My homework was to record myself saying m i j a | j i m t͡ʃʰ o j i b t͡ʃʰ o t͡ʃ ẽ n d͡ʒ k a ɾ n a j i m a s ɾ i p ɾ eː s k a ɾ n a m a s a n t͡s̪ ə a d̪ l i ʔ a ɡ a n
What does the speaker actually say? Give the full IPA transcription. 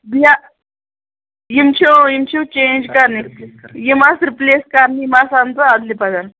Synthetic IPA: b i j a | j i m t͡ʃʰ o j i m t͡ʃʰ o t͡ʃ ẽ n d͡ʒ k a ɾ n i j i m a s ɾ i p l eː s k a ɾ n i m a s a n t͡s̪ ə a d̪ l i p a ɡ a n